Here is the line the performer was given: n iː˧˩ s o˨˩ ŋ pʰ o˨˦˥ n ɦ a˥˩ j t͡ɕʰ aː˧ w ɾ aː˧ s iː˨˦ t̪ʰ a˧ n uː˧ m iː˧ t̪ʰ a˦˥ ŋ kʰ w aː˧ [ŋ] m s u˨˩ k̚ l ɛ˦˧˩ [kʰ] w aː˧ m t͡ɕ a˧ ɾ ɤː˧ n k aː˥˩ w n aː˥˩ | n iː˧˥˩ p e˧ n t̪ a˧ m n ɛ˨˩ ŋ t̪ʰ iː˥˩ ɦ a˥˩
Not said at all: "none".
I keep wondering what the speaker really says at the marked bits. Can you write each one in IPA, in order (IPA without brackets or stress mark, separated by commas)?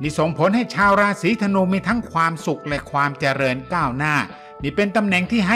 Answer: none, kʰ